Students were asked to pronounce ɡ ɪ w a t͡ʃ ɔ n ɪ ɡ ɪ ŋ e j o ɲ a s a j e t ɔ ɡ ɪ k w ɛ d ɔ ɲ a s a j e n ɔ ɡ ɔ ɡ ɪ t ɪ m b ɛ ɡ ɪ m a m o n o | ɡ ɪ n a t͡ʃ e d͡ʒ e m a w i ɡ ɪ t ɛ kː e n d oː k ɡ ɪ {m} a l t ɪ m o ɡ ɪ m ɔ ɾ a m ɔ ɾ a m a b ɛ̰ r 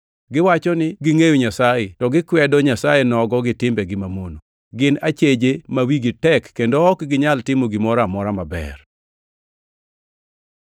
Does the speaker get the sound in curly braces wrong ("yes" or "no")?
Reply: yes